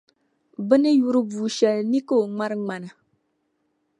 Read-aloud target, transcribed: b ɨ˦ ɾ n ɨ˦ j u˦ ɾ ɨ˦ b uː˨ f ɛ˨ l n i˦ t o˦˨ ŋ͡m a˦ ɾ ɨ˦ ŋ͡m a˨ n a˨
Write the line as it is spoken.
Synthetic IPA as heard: b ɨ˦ n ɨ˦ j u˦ ɾ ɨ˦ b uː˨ ʃ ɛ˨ l n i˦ k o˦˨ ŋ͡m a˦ ɾ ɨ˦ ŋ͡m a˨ n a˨